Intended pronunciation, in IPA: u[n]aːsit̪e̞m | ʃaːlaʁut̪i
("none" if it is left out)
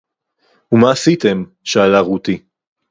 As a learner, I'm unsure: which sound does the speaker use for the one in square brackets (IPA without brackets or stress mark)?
m